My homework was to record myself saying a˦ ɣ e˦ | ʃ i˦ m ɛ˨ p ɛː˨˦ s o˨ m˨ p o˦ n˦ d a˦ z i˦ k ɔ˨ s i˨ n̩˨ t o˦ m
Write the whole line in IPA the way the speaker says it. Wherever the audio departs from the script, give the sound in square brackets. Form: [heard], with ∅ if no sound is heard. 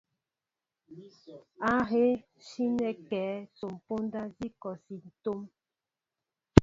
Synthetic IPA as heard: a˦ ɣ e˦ | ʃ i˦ [n] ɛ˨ [k] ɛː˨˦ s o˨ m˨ p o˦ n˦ d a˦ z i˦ k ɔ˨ s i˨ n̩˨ t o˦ m